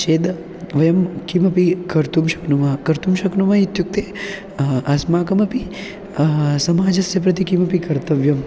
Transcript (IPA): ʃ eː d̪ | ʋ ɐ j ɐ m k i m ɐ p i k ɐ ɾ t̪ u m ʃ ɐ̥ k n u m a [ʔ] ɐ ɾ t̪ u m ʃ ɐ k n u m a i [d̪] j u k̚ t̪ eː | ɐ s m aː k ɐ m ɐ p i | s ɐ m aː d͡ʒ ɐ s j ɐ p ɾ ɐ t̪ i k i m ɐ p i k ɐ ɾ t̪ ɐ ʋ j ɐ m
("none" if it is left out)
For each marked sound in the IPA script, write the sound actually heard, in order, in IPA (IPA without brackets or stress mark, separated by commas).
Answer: k, t̪